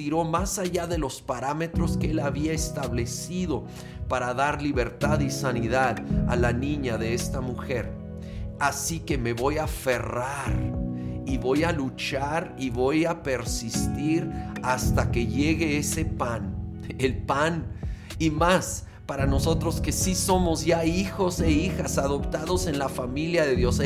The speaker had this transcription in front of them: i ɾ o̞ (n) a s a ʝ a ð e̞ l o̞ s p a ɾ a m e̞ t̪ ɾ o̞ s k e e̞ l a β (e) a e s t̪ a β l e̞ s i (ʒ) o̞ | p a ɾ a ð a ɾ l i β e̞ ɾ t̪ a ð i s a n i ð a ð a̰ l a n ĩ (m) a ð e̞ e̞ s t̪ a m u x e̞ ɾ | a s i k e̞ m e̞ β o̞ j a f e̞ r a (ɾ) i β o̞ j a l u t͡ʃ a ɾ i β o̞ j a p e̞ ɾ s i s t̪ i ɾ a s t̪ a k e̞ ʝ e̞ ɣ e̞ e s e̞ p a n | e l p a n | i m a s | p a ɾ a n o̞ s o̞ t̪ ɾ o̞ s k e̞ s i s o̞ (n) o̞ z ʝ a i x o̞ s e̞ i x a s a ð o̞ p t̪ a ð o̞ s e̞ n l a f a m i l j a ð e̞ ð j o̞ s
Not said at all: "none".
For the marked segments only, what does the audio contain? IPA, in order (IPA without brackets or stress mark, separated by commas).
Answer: m, i, ð, ɲ, ɾ, m